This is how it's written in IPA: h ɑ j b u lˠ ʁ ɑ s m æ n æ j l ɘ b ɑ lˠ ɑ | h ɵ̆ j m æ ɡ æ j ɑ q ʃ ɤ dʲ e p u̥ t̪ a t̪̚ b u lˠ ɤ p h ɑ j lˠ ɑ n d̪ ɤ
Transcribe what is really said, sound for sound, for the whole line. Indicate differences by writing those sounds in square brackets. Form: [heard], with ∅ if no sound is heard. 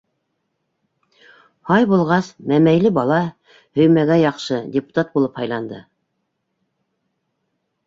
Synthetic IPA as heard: h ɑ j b u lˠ ʁ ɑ s m æ [m] æ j l ɘ b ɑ lˠ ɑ | h ɵ̆ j m æ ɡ æ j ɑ q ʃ ɤ dʲ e p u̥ t̪ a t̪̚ b u lˠ ɤ p h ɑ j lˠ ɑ n d̪ ɤ

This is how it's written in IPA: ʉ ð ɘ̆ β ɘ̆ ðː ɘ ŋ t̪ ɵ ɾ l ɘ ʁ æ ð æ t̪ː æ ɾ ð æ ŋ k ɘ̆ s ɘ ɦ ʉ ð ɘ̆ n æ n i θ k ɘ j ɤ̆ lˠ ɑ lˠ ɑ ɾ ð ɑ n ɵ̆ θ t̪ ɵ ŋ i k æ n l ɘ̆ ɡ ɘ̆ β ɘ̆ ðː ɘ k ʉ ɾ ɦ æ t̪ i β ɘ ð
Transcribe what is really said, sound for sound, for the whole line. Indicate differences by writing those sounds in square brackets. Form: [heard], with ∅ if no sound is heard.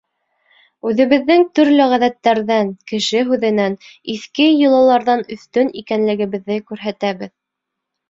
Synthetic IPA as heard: ʉ ð ɘ̆ β ɘ̆ ðː ɘ ŋ t̪ ɵ ɾ l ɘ ʁ æ ð æ t̪ː æ ɾ ð æ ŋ k ɘ̆ [ʃ] ɘ ɦ ʉ ð ɘ̆ n æ n i θ k ɘ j ɤ̆ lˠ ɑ lˠ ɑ ɾ ð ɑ n ɵ̆ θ t̪ ɵ [n] i k æ n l ɘ̆ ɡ ɘ̆ β ɘ̆ ðː ɘ k ʉ ɾ ɦ æ t̪ [æ] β ɘ ð

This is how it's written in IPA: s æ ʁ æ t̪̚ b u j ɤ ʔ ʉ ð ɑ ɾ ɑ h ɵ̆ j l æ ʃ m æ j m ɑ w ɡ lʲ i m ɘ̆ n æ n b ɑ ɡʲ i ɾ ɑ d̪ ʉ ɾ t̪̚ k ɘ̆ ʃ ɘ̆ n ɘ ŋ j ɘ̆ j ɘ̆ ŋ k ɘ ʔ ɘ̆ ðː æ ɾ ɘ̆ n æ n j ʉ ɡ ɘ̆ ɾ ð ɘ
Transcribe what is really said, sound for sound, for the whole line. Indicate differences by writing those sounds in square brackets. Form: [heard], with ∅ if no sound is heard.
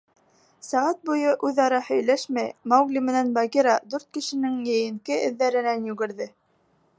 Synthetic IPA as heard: s æ ʁ æ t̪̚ b u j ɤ ʔ ʉ ð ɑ ɾ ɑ h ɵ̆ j l æ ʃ m æ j m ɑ w ɡ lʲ i m ɘ̆ n æ n b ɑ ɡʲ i ɾ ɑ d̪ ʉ ɾ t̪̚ k ɘ̆ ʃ ɘ̆ n ɘ ŋ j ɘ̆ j ɘ̆ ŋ k ɘ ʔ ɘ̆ ðː æ ɾ ɘ̆ n æ n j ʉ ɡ ɘ̆ ɾ ð ɘ

